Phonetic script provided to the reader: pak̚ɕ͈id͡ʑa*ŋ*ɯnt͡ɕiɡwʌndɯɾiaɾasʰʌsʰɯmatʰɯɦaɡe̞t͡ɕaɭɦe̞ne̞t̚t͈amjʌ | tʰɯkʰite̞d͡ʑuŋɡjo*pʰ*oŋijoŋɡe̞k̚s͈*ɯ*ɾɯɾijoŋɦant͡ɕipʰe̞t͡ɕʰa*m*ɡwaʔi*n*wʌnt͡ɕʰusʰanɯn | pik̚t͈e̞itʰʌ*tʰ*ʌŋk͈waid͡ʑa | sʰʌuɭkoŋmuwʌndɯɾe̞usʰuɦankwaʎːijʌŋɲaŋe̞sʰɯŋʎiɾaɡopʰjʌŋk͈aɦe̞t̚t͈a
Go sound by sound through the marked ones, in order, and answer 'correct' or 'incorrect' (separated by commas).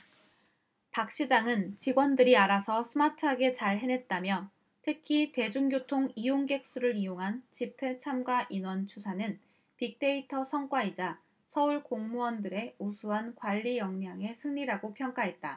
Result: correct, incorrect, incorrect, correct, correct, incorrect